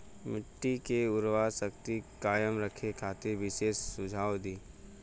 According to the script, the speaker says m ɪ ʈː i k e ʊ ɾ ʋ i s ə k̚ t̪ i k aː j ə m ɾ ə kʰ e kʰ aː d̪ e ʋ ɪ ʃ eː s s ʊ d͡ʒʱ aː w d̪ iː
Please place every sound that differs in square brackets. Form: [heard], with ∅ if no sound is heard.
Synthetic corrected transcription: m ɪ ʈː i k e ʊ ɾ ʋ [a] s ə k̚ t̪ i k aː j ə m ɾ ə kʰ e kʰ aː [t̪] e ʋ ɪ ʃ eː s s ʊ d͡ʒʱ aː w d̪ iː